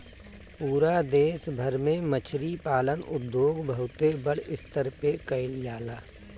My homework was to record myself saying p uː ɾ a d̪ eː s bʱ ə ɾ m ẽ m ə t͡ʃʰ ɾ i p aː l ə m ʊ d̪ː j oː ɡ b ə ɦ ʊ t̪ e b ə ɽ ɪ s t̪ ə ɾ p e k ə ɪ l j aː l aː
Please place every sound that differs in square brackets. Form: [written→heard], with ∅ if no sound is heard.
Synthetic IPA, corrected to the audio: p uː ɾ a d̪ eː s bʱ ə ɾ m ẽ m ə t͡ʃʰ ɾ i p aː l ə [m→n] ʊ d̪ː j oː ɡ b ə ɦ ʊ t̪ e b ə ɽ ɪ s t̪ ə ɾ p e k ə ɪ l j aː l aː